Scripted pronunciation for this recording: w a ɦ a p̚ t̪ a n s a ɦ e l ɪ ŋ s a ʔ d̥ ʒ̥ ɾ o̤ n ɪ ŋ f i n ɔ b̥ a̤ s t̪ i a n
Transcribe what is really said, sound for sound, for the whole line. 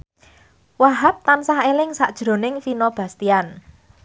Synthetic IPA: w a ɦ a p̚ t̪ a n s a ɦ e l ɪ ŋ s a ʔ d̥ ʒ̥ ɾ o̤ n ɪ ŋ f i n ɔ b̥ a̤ s t̪ i a n